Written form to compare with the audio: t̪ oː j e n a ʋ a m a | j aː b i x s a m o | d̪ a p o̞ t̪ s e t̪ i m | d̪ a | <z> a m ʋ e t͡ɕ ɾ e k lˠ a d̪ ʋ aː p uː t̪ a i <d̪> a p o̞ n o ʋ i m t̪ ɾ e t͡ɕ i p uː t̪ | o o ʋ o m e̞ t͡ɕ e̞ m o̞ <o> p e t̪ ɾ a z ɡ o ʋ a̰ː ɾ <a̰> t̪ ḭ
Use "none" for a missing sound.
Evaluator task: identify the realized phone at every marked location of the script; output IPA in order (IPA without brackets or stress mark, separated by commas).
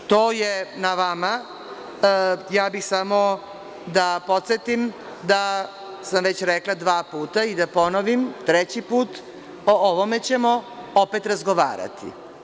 s, d̪, o, a̰